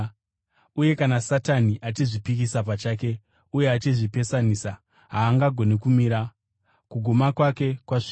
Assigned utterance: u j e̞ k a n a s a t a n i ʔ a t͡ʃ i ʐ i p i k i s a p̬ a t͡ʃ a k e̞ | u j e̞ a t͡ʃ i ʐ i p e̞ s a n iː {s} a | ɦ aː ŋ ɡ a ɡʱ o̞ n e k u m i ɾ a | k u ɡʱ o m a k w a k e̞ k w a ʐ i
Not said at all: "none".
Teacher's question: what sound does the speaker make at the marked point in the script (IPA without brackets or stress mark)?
s